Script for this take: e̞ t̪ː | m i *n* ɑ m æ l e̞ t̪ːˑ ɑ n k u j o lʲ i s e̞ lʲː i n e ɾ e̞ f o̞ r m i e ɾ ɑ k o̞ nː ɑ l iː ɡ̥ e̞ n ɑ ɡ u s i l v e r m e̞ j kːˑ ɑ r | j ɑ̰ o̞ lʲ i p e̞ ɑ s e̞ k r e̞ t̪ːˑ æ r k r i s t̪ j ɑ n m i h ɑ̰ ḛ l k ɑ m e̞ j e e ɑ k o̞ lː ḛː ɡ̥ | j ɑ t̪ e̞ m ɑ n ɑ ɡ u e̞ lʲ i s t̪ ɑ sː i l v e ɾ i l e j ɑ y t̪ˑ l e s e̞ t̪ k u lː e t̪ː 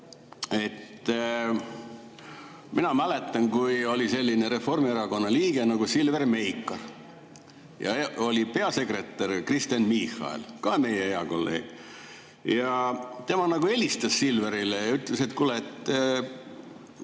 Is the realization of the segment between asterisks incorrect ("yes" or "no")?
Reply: no